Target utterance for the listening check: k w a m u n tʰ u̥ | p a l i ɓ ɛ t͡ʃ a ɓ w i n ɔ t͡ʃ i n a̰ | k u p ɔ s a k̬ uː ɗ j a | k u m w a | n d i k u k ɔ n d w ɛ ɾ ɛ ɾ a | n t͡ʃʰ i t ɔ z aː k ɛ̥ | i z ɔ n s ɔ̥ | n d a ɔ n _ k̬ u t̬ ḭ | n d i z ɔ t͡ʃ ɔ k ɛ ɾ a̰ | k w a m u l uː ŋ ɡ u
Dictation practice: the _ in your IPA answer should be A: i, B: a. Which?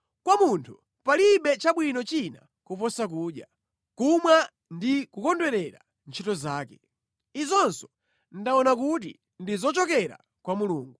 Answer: B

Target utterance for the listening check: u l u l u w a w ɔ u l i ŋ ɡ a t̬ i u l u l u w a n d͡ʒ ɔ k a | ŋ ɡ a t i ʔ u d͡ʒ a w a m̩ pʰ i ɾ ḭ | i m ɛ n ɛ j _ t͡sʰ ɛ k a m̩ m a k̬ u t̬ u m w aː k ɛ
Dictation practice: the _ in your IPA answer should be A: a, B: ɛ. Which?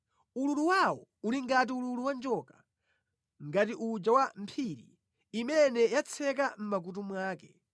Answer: A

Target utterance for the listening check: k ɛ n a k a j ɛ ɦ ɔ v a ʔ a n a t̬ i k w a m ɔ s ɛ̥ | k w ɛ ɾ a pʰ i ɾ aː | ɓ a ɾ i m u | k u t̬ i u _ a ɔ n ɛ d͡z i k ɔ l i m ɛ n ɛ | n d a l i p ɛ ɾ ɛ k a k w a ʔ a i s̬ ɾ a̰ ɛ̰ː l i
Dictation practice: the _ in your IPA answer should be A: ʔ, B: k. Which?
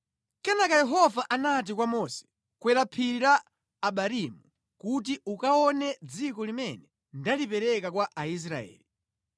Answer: B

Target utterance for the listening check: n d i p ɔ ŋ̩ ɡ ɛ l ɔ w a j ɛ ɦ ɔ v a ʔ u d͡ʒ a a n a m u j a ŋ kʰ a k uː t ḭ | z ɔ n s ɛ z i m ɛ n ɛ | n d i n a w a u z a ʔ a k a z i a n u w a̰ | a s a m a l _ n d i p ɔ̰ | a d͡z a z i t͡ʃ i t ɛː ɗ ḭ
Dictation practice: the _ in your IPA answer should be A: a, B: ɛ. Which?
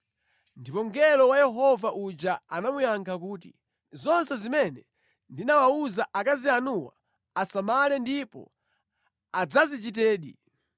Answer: B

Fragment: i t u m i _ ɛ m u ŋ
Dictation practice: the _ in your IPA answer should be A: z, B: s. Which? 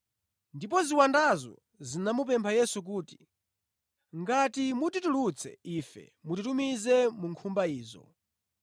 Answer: A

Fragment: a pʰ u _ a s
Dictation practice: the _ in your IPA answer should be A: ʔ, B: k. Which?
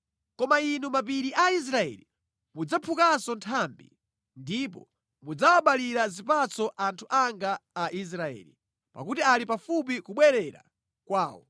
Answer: B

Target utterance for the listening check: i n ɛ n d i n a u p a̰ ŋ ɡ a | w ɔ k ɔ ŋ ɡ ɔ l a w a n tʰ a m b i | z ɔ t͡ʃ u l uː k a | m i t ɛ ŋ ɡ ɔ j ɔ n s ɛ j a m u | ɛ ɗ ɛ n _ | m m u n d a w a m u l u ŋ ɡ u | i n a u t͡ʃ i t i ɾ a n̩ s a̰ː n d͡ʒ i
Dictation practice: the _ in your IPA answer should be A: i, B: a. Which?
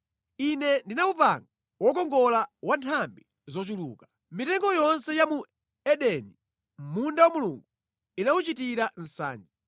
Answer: A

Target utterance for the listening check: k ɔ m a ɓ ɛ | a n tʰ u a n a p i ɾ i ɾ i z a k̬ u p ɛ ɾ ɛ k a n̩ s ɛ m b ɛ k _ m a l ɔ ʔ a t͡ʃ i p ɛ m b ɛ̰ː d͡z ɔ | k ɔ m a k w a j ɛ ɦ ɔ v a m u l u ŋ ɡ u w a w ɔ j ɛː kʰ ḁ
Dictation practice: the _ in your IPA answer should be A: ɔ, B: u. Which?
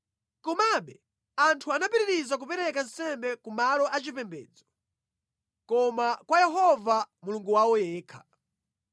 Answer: B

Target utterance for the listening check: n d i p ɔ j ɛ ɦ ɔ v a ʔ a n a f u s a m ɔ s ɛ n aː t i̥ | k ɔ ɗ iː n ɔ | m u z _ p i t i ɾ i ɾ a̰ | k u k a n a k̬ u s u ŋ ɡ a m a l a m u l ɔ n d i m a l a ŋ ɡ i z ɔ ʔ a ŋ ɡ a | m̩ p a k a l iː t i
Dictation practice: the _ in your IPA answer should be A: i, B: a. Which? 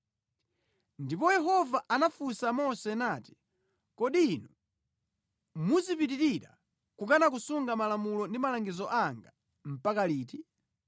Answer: A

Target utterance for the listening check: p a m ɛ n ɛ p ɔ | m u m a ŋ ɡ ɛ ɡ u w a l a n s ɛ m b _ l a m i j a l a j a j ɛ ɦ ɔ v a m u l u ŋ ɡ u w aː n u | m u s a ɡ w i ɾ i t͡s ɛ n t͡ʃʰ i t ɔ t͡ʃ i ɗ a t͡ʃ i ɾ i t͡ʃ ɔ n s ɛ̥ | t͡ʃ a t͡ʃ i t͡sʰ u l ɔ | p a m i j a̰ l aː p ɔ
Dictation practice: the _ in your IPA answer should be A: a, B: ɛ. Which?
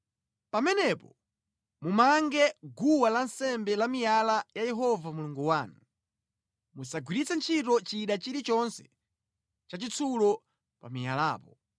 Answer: B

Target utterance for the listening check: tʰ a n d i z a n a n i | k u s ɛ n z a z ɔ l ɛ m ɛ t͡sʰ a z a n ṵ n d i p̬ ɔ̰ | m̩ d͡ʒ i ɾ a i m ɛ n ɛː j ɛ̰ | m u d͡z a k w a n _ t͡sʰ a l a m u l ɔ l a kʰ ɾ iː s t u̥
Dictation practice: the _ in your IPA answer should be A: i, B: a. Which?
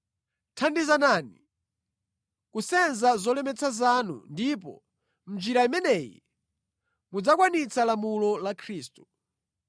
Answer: A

